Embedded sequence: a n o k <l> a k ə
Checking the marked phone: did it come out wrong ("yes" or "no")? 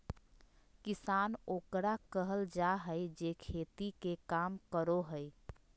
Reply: yes